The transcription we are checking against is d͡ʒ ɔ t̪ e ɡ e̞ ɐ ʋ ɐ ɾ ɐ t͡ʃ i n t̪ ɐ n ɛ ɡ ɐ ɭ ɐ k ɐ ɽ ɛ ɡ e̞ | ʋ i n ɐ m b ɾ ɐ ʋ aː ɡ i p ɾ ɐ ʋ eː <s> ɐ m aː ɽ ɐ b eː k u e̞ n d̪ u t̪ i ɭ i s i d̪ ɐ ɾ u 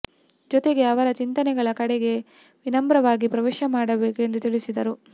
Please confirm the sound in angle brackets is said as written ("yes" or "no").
no